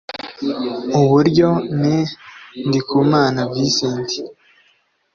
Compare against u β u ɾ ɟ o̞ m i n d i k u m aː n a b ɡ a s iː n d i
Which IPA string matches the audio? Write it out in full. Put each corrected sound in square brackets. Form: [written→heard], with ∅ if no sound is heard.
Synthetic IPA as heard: u β u ɾ ɟ o̞ [m→n] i n d i k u m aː n a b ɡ [a→i] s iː n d i